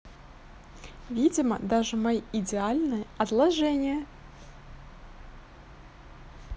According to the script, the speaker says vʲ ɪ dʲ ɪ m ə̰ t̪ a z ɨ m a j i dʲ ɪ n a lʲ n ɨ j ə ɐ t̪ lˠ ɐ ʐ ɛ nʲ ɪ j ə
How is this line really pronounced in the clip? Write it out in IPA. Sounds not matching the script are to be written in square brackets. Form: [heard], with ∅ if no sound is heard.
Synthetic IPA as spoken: vʲ [i] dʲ ɪ m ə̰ [d̪] a [ʐ] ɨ m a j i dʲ ɪ [∅] a lʲ n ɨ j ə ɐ t̪ lˠ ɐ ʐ ɛ nʲ ɪ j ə